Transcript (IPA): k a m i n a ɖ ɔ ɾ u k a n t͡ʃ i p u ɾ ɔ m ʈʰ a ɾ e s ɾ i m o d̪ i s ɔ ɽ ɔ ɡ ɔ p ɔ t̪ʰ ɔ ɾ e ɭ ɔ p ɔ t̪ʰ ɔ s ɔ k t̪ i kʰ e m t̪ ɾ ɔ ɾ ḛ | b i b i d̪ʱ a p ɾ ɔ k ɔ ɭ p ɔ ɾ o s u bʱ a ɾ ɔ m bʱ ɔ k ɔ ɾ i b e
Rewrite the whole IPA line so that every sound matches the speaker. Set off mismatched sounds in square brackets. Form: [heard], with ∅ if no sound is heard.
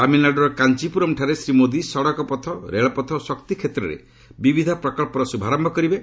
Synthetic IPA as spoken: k a m i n a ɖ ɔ ɾ [ɔ] k a n t͡ʃ i p u ɾ ɔ m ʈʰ a ɾ e s ɾ i m o d̪ i s ɔ ɽ ɔ [k] ɔ p ɔ t̪ʰ ɔ ɾ e ɭ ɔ p ɔ t̪ʰ ɔ s ɔ k t̪ i kʰ e [∅] t̪ ɾ ɔ ɾ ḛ | b i b i d̪ʱ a p ɾ ɔ k ɔ ɭ p ɔ ɾ [ɔ] s u bʱ a ɾ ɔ m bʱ ɔ k ɔ ɾ i b e